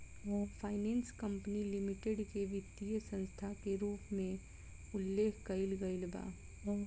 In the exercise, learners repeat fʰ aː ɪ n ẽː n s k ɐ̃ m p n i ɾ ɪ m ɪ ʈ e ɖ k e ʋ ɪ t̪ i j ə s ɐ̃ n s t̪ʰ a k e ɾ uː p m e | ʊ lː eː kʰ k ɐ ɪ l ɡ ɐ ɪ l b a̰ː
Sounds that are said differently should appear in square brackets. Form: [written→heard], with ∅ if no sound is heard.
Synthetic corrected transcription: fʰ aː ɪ n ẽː n s k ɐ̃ m p n i [ɾ→l] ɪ m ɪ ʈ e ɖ k e ʋ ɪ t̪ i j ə s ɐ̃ n s t̪ʰ a k e ɾ uː p m [e→ẽ] | ʊ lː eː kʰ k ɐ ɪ l ɡ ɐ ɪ l b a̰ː